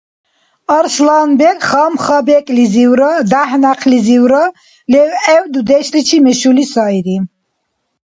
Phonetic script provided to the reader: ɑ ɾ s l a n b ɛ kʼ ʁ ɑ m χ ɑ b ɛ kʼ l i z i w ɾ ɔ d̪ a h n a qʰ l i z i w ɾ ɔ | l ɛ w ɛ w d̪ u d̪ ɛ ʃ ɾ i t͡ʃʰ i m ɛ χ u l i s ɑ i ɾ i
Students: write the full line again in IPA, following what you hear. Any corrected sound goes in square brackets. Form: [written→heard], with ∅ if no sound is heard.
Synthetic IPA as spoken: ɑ ɾ s l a n b ɛ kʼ [ʁ→χ] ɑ m χ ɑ b ɛ kʼ l i z i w ɾ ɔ d̪ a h n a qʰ l i z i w ɾ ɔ | l ɛ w ɛ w d̪ u d̪ ɛ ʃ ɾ i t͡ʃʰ i m ɛ [χ→ʃ] u l i s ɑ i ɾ i